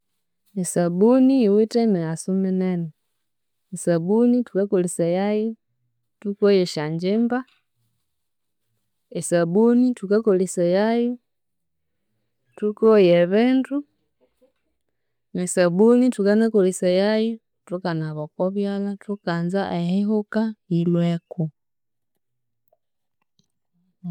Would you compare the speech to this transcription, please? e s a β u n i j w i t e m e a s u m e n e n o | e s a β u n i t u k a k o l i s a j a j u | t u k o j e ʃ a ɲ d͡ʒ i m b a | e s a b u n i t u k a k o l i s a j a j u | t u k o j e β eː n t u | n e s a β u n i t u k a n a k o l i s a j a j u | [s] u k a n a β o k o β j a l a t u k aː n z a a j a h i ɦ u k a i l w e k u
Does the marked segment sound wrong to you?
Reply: yes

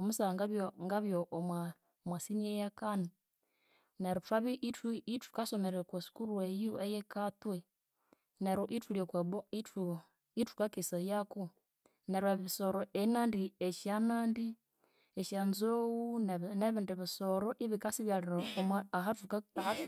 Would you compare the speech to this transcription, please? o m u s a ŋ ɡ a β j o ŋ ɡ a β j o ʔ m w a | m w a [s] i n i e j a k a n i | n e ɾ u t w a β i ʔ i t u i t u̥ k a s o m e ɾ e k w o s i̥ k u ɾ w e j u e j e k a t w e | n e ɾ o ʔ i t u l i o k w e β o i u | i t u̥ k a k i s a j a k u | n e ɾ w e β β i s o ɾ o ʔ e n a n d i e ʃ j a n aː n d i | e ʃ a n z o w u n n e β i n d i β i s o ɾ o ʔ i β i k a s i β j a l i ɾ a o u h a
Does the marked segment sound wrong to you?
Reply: no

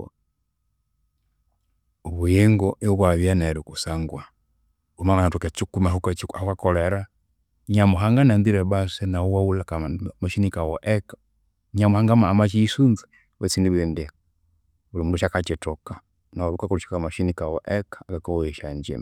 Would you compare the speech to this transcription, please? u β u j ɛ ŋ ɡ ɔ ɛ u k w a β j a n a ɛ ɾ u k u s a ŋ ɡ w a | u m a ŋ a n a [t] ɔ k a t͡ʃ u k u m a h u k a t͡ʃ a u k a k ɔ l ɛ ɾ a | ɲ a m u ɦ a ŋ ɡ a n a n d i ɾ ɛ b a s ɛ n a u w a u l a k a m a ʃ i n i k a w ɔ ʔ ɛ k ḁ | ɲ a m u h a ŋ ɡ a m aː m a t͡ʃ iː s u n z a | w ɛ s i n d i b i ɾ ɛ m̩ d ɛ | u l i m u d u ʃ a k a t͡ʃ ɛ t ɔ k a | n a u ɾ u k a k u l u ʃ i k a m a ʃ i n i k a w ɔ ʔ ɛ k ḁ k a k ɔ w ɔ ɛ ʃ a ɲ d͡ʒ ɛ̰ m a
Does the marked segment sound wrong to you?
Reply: no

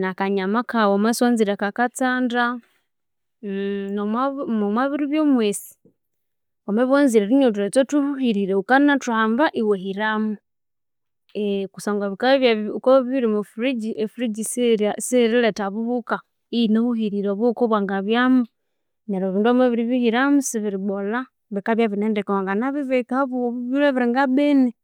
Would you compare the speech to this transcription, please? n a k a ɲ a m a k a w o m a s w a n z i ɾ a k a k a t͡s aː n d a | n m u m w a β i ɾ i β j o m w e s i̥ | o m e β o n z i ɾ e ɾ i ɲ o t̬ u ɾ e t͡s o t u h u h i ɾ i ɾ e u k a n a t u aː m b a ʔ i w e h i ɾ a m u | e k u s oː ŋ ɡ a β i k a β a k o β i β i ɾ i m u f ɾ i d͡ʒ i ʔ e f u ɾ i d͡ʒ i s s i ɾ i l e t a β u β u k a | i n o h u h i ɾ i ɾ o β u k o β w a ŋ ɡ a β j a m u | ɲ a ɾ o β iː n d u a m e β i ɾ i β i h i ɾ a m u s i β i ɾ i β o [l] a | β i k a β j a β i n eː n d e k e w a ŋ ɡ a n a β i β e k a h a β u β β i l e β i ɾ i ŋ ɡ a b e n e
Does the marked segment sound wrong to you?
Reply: no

